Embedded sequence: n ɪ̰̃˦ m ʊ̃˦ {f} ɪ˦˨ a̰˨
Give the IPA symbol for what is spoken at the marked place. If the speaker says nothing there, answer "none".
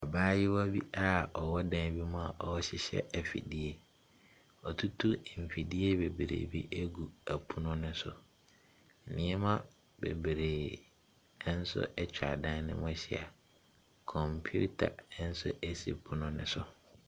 ɕ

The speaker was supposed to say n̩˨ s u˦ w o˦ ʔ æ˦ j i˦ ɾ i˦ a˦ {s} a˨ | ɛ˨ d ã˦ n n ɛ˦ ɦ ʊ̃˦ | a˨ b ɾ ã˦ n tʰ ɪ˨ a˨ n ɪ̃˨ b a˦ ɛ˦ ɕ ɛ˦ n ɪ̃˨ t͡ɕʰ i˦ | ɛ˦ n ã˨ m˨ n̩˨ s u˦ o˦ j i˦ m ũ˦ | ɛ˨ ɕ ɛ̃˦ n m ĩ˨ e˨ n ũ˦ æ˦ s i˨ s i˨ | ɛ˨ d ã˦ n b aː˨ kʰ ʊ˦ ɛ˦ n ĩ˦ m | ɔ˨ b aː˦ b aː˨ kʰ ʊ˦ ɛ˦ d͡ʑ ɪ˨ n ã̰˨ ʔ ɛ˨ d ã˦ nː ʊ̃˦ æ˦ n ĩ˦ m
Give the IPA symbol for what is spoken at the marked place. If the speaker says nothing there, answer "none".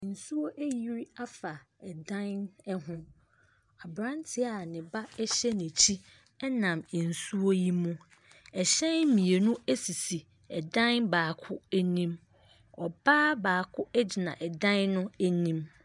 f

